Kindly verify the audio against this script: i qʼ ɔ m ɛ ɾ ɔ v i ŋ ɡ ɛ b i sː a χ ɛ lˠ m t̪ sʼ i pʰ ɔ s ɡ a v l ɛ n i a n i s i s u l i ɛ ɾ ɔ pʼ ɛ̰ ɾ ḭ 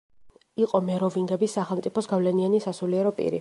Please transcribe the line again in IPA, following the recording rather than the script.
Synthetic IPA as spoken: i qʼ ɔ m ɛ ɾ ɔ v i ŋ ɡ ɛ b i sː a χ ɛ lˠ m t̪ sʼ i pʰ ɔ s ɡ a v l ɛ n i a n i s a s u l i ɛ ɾ ɔ pʼ ḭ ɾ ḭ